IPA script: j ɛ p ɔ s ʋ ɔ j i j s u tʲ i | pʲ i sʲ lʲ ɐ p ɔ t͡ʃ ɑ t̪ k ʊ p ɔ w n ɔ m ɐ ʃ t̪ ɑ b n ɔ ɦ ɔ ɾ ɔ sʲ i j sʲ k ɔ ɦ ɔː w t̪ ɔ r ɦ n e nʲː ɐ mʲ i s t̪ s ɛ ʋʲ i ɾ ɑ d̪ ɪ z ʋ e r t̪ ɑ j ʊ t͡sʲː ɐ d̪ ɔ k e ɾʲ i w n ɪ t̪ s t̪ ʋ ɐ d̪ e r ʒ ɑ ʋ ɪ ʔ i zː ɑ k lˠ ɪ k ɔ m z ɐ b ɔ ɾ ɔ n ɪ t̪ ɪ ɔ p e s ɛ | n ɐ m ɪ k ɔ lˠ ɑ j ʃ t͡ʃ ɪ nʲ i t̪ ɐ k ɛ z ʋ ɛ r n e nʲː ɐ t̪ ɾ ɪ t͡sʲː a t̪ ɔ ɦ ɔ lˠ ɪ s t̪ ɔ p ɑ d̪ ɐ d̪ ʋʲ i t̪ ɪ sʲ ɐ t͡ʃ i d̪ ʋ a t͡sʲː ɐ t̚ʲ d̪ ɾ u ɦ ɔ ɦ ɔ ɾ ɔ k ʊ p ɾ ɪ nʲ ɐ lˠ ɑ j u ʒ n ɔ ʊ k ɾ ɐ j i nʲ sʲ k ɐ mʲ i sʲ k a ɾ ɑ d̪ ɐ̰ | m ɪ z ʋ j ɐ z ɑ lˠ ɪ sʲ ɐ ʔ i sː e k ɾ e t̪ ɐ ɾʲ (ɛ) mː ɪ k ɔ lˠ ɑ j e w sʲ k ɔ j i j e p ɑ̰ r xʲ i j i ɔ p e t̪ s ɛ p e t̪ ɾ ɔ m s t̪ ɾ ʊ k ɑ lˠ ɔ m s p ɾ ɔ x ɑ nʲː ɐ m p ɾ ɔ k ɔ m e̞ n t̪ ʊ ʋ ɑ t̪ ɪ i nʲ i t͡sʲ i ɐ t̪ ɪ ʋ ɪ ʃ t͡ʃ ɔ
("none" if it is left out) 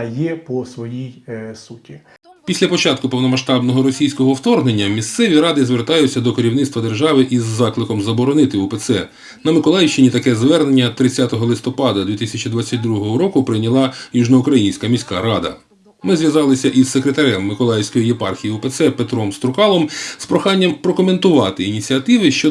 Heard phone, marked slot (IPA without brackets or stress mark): ɛ